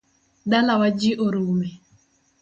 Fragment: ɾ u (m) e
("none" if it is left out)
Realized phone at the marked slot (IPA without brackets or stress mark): m